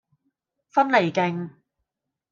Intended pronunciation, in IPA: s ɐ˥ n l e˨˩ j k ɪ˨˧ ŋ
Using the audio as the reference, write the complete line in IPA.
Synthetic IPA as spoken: f ɐ˥ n l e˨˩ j k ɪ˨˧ ŋ